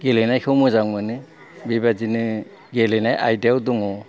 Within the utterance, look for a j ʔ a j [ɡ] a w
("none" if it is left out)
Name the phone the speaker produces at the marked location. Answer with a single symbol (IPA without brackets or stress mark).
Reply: d